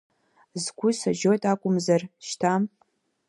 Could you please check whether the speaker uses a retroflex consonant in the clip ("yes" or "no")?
no